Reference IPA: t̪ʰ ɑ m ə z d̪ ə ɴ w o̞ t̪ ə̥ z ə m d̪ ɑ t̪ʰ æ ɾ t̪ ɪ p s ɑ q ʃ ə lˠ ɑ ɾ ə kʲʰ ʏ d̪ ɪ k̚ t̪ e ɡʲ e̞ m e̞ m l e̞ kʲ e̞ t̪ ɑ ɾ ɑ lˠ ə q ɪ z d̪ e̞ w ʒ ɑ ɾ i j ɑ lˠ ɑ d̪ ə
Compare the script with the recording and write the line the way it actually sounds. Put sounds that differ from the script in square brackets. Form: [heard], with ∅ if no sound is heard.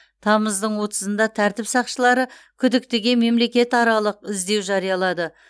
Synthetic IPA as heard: t̪ʰ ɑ m ə z d̪ ə ɴ w o̞ t̪ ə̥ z ə [n] d̪ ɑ t̪ʰ æ ɾ t̪ ɪ p s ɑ q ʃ ə lˠ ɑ ɾ ə kʲʰ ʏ d̪ ɪ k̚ t̪ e ɡʲ e̞ m e̞ m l e̞ kʲ e̞ t̪ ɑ ɾ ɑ lˠ ə q ɪ z d̪ e̞ w ʒ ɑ ɾ i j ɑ lˠ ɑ d̪ ə